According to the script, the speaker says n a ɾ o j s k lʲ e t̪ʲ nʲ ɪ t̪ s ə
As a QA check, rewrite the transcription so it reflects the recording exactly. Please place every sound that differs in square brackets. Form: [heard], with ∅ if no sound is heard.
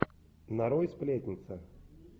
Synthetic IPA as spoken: n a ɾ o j s [p] lʲ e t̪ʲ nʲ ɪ t̪ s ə